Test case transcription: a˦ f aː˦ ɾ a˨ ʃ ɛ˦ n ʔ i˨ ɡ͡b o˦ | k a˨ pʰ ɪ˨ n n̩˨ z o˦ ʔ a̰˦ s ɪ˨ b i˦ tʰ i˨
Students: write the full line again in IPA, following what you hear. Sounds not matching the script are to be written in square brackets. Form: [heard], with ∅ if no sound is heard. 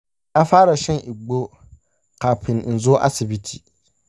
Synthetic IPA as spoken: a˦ f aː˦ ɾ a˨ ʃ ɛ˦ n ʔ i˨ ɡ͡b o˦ | k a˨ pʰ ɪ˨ n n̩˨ z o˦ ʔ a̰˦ s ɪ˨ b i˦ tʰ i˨